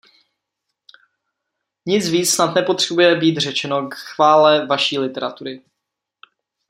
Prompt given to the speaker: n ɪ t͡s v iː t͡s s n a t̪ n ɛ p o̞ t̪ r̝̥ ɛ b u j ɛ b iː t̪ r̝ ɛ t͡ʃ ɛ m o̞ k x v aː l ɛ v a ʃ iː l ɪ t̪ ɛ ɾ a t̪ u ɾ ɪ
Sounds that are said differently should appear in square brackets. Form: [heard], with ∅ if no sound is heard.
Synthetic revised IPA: [ɲ] ɪ t͡s v iː t͡s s n a t̪ n ɛ p o̞ t̪ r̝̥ ɛ b u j ɛ b iː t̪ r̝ ɛ t͡ʃ ɛ [n] o̞ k x v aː l ɛ v a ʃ iː l ɪ t̪ ɛ ɾ a t̪ u ɾ ɪ